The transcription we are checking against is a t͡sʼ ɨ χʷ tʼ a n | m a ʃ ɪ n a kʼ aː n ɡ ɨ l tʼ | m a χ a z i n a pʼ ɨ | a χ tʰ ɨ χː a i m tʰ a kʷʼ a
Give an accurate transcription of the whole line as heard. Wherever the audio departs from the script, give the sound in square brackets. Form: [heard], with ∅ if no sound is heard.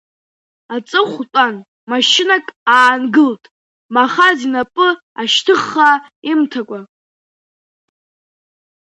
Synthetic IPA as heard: a t͡sʼ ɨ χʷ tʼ a n | m a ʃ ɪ n a kʼ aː n ɡ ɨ l tʼ | m a χ a z i n a pʼ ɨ | a [ʃ] tʰ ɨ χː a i m tʰ a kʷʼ a

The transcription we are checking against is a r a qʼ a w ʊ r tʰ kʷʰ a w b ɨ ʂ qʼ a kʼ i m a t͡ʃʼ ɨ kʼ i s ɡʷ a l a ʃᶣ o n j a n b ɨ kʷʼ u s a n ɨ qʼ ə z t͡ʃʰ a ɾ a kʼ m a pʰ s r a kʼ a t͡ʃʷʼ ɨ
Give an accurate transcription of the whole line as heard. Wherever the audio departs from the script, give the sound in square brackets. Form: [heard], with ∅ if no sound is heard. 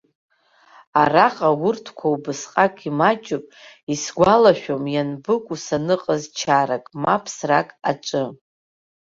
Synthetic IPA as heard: a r a qʼ a w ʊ r tʰ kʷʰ a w b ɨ [s] qʼ a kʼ i m a t͡ʃʼ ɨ [pʼ] i s ɡʷ a l a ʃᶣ o [m] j a n b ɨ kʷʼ u s a n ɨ qʼ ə z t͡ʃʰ a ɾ a kʼ m a pʰ s r a kʼ a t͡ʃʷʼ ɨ

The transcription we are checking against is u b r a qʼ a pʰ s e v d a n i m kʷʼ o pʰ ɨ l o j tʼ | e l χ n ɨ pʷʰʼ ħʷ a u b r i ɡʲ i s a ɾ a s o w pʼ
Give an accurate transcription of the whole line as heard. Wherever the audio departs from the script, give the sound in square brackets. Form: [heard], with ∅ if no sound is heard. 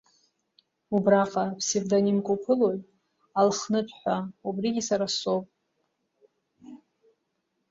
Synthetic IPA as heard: u b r a qʼ a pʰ s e v d a n i m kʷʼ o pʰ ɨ l o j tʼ | [a] l χ n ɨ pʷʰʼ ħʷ a u b r i ɡʲ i s a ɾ a s o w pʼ

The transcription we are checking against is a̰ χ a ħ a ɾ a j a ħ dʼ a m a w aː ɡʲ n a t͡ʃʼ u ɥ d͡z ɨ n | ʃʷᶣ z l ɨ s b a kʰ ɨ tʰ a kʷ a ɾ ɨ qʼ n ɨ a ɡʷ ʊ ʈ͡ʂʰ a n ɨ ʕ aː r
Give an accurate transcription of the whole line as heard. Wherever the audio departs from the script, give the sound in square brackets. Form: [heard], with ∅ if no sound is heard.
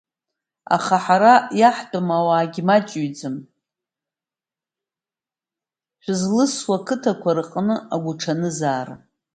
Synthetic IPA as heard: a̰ χ a ħ a ɾ a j a ħ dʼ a m a w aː ɡʲ [m] a t͡ʃʼ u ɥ d͡z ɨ [m] | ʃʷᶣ z l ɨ s [w] a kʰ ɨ tʰ a kʷ a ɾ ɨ qʼ n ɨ a ɡʷ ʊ ʈ͡ʂʰ a n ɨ [z] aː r

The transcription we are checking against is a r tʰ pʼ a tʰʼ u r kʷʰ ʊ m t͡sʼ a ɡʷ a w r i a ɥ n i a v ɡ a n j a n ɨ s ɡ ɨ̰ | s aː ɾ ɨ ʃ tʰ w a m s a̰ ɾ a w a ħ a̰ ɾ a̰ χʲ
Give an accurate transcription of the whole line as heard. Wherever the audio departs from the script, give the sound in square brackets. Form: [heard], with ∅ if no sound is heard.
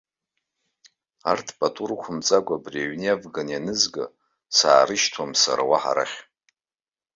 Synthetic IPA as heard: a r tʰ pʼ a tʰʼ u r kʷʰ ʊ m t͡sʼ a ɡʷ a [b] r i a ɥ n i a v ɡ a n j a n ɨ [z] ɡ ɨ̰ | s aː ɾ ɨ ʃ tʰ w a m s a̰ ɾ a w a ħ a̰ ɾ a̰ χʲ

